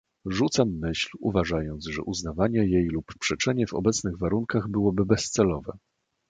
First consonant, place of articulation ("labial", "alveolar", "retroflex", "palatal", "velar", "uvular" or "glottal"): retroflex